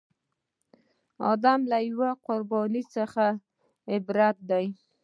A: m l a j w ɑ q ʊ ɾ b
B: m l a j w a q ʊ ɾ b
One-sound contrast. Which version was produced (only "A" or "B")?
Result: B